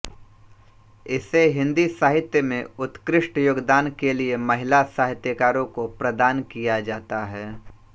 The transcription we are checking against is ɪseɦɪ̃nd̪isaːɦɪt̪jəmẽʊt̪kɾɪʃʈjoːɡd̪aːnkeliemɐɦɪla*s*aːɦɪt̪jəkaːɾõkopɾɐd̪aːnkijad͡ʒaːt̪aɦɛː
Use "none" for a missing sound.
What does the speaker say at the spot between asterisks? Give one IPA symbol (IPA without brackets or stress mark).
s